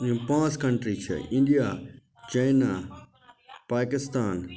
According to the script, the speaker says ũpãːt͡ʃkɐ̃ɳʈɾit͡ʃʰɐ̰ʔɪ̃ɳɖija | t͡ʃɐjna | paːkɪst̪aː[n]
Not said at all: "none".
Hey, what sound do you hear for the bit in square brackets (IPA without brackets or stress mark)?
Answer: n